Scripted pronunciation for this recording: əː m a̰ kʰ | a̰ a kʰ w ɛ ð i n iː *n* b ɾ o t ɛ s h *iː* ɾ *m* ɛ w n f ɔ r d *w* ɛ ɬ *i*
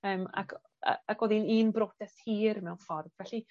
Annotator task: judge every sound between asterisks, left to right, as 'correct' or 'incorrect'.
correct, correct, correct, incorrect: v, correct

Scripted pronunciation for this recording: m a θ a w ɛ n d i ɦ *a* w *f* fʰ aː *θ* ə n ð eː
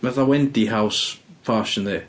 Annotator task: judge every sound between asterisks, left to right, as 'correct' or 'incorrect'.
correct, incorrect: s, incorrect: ʃ

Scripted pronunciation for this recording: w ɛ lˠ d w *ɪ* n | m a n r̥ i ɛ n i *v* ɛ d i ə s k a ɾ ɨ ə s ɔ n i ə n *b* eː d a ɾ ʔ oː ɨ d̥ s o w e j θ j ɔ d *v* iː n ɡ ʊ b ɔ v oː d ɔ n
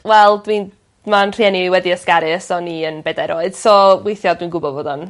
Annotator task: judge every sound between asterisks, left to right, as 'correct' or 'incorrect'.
incorrect: i, incorrect: w, correct, incorrect: w

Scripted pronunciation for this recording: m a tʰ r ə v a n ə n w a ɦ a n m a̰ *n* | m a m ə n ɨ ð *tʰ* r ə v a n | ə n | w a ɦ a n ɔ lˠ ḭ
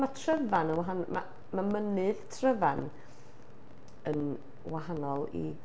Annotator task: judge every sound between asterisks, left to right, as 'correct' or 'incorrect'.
incorrect: none, correct

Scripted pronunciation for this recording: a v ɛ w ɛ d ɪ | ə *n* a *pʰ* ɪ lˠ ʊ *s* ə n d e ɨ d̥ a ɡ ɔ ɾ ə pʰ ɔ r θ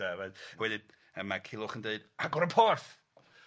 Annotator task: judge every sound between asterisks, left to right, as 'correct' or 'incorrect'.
incorrect: m, incorrect: kʰ, incorrect: χ

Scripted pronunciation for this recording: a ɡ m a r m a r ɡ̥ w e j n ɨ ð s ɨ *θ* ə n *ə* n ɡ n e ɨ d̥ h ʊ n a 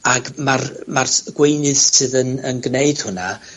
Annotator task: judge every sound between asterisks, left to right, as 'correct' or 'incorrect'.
incorrect: ð, correct

